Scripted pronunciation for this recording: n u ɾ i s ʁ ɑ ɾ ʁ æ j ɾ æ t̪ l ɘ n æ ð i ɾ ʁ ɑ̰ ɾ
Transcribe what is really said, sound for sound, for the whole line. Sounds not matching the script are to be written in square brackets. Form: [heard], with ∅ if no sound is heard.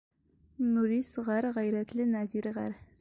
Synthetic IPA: n u ɾ i s ʁ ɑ ɾ ʁ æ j ɾ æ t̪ l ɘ n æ [z] i ɾ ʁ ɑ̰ ɾ